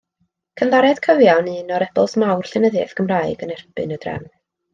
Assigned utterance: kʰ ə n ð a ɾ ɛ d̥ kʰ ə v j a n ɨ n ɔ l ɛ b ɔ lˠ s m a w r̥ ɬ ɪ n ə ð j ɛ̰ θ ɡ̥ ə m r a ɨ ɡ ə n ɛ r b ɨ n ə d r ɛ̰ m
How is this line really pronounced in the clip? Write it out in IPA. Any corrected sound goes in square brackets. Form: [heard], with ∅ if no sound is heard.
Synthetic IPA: kʰ ə n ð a ɾ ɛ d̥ kʰ ə v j a n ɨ n ɔ [ɾ] ɛ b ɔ lˠ s m a w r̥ ɬ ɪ n ə ð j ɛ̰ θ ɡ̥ ə m r a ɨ ɡ ə n ɛ r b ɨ n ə d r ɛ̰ m